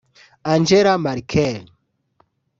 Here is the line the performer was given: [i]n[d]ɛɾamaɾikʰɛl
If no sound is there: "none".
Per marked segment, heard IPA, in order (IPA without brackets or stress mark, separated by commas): a, d͡ʒ